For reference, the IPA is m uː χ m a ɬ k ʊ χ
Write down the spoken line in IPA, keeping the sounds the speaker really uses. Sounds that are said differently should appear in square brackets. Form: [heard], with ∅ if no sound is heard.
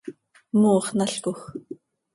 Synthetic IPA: m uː χ [n] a ɬ k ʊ [x]